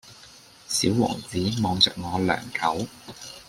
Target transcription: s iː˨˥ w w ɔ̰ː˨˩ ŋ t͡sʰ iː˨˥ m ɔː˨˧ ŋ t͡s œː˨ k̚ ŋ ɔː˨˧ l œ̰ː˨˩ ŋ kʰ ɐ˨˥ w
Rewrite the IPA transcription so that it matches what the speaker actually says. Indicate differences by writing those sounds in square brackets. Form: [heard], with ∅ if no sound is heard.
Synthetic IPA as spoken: s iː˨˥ w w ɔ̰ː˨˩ ŋ [t͡s] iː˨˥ m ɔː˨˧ ŋ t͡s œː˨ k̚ ŋ ɔː˨˧ l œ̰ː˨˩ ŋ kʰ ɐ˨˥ w

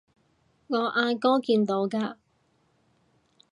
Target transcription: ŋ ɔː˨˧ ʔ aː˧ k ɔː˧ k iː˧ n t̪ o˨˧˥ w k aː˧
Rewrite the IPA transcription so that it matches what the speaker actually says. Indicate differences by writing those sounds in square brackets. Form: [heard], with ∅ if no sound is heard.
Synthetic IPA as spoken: ŋ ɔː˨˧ ʔ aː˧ k [ɔː˥] k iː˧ n t̪ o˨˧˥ w k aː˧

